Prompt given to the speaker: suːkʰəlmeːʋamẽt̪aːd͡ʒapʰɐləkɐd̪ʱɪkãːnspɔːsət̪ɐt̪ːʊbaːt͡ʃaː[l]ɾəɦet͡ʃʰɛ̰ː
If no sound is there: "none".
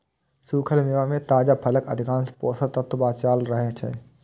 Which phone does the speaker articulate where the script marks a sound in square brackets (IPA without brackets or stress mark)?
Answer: l